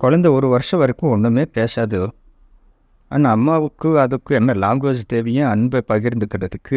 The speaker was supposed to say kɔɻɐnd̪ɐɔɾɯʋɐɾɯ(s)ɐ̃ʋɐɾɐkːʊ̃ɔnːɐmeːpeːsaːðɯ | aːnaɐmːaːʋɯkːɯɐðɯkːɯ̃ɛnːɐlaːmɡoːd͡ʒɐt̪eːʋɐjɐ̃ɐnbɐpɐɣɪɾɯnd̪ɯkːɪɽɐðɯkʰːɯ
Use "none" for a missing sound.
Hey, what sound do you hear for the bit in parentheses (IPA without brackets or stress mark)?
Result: ʂ